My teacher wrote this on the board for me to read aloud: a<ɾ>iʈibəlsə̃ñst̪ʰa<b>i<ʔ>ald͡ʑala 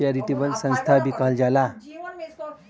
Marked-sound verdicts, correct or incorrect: correct, correct, incorrect

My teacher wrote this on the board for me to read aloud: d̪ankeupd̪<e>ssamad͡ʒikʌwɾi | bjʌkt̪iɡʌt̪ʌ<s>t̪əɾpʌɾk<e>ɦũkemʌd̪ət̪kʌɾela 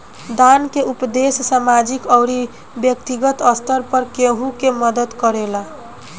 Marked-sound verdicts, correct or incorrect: correct, correct, correct

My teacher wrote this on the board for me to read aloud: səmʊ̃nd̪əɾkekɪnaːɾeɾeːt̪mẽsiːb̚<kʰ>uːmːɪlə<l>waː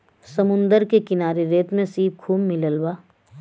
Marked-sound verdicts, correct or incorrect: correct, correct

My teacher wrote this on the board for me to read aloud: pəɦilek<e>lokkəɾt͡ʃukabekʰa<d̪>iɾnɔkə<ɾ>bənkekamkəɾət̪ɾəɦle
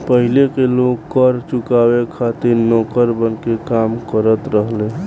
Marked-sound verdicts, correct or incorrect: correct, incorrect, correct

